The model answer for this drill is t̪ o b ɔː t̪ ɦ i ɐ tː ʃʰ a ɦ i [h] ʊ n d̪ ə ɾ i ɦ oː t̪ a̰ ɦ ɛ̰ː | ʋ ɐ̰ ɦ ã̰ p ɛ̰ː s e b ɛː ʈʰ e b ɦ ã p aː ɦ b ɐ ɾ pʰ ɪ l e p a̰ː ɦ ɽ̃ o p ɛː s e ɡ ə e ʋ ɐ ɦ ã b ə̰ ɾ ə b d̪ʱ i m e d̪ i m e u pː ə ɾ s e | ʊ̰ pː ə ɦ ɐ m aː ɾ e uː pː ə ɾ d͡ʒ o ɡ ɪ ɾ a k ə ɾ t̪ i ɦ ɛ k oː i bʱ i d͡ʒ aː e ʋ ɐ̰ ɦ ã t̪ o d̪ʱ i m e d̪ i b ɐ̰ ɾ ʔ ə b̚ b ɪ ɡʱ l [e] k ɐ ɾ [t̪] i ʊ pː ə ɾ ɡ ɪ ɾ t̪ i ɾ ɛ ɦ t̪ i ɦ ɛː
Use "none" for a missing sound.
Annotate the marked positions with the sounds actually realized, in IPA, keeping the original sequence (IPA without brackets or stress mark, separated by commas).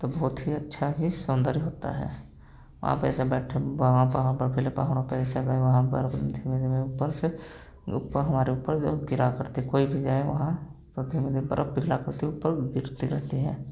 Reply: s, a, t̪